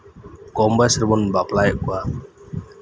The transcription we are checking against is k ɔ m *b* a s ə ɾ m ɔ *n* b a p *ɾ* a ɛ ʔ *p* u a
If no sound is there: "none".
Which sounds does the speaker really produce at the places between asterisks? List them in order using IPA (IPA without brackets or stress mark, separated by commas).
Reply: b, n, l, k